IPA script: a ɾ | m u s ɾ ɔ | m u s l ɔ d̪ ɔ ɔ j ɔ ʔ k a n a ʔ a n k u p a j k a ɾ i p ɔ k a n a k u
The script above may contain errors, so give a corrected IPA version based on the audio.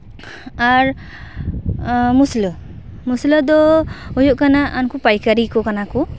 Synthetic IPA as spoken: a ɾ | m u s l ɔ | m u s l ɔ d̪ ɔ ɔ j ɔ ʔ k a n a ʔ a n k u p a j k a ɾ i k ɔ k a n a k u